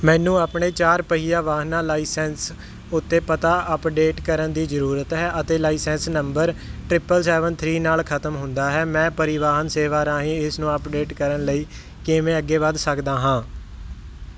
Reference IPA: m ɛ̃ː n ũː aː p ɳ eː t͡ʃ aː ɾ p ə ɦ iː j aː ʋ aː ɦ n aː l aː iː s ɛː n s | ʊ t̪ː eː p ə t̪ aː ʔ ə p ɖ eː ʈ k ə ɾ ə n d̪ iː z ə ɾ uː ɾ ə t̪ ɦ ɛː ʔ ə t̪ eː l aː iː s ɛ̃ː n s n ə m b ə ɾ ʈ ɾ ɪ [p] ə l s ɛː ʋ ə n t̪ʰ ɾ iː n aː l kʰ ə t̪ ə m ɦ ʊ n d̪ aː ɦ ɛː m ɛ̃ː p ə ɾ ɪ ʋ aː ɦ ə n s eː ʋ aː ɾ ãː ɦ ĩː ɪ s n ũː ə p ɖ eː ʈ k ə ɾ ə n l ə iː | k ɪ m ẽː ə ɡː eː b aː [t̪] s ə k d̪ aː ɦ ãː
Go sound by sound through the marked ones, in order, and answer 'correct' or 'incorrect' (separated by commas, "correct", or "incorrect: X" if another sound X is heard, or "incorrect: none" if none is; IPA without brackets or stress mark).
correct, incorrect: d̪